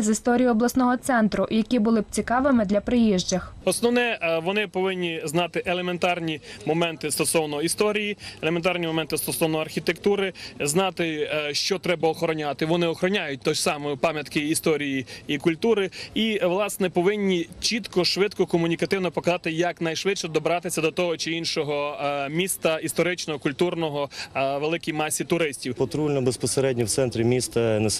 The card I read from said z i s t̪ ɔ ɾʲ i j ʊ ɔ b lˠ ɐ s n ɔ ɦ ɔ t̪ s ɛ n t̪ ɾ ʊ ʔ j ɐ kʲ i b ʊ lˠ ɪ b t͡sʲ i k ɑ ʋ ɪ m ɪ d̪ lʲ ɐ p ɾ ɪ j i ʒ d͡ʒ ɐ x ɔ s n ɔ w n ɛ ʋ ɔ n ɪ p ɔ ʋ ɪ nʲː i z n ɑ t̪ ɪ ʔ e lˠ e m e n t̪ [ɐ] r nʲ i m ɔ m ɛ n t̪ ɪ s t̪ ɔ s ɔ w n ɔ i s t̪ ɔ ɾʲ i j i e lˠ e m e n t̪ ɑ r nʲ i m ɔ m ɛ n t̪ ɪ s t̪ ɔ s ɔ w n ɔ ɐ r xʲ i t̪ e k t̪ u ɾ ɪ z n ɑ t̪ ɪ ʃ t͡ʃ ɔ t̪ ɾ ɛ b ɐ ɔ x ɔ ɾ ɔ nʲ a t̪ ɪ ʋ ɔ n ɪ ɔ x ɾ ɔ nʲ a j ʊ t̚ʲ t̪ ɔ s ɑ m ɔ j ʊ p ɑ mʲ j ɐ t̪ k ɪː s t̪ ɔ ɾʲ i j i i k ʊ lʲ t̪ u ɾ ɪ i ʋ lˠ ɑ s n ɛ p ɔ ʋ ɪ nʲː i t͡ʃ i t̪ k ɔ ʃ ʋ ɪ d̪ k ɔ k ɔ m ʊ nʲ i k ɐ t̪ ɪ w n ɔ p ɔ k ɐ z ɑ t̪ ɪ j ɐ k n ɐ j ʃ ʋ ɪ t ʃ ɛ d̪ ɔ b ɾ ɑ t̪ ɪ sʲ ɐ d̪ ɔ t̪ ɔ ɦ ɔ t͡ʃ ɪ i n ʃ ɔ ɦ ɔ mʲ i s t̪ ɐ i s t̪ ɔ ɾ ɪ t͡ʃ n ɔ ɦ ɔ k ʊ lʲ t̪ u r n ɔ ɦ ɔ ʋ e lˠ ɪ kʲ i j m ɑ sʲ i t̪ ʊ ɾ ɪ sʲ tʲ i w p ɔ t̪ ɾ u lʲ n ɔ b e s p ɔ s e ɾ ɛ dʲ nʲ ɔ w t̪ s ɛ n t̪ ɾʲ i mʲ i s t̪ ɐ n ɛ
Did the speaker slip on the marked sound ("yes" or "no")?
yes